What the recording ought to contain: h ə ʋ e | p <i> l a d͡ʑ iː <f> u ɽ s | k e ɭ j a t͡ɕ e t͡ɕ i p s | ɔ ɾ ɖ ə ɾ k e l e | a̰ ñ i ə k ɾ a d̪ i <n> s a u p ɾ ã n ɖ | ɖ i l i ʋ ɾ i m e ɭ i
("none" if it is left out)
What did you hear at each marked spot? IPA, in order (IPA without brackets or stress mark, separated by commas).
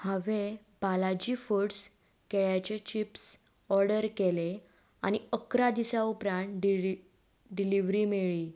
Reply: a, f, none